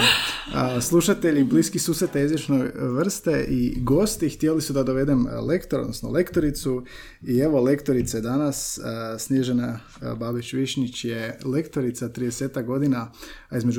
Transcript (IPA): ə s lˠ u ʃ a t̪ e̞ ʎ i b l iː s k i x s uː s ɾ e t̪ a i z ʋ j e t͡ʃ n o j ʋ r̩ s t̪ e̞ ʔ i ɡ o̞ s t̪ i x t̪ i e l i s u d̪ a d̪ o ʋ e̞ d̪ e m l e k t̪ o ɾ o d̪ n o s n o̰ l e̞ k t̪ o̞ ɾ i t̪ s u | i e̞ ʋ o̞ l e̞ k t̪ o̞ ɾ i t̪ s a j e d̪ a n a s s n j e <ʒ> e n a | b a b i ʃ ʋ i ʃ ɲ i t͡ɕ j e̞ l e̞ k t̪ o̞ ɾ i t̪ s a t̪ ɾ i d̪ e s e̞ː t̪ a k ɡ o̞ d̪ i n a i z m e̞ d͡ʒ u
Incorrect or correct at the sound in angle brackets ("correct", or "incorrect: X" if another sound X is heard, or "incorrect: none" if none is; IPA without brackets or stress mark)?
correct